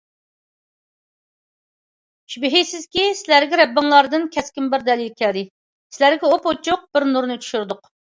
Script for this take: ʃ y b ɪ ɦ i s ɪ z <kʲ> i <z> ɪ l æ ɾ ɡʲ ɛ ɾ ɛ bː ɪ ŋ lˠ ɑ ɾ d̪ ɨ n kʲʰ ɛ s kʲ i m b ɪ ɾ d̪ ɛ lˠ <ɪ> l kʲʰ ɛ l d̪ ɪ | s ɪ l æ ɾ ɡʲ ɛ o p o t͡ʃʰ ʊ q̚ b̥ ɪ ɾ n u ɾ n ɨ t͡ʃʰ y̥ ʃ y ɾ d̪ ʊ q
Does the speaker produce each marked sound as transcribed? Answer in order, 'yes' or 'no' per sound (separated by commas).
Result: yes, no, no